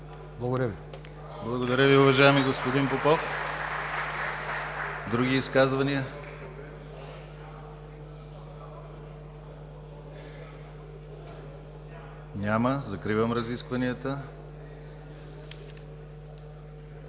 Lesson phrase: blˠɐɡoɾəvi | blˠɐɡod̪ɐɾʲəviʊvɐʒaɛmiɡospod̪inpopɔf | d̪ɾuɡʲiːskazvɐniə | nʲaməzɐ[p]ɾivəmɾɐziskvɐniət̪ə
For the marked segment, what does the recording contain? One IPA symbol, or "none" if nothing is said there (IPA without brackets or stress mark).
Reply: k